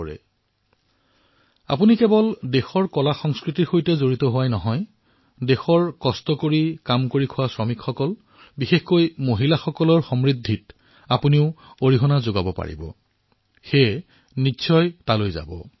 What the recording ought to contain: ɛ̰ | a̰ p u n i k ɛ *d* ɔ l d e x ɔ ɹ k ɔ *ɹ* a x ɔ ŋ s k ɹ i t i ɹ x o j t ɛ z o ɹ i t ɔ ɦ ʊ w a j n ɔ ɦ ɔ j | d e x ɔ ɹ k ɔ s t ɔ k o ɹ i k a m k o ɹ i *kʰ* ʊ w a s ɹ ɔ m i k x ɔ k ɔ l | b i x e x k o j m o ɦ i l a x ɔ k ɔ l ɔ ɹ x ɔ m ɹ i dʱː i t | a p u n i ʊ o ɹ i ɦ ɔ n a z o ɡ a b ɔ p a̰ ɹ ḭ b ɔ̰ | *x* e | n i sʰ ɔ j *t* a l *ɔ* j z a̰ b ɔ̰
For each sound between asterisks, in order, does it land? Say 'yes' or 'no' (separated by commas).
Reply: no, no, yes, yes, yes, no